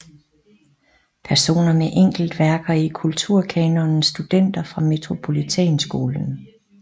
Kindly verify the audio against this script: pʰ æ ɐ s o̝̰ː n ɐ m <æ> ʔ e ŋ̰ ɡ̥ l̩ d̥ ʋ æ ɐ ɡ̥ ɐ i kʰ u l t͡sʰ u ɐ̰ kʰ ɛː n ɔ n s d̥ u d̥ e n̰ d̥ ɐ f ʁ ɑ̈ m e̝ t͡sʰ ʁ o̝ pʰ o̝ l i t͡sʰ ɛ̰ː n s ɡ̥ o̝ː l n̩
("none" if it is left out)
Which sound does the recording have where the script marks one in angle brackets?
e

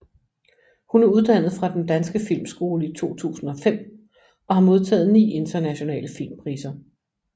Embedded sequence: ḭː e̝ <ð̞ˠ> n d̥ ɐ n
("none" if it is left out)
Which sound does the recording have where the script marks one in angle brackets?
none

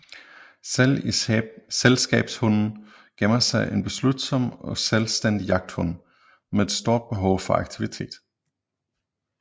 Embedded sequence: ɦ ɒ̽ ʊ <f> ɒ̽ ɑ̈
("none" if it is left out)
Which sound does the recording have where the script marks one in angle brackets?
f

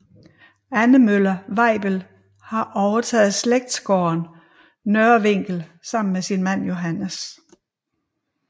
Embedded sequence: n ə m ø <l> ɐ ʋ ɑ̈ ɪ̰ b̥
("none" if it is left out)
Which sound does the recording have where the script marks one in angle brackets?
l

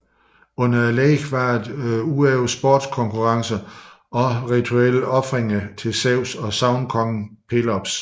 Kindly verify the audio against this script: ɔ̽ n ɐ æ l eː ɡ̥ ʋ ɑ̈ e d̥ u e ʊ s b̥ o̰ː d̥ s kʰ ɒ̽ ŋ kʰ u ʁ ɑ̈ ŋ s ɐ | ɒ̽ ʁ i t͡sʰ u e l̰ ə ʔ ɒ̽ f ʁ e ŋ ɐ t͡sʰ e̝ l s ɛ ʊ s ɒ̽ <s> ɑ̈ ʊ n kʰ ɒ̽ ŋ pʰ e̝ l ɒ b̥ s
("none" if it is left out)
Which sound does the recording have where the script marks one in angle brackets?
s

